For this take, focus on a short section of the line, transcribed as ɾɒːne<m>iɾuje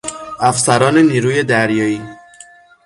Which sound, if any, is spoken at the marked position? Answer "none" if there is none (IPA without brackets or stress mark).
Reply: n